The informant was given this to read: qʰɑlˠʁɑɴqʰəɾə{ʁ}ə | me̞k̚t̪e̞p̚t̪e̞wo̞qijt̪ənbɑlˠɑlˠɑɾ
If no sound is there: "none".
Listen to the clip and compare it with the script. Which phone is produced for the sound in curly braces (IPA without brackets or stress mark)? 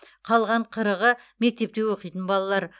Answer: ʁ